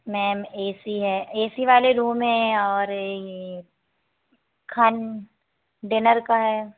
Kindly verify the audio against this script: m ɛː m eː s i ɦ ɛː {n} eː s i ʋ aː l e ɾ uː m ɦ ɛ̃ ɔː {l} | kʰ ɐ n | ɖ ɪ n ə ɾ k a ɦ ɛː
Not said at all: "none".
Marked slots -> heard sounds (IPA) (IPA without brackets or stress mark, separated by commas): none, ɾ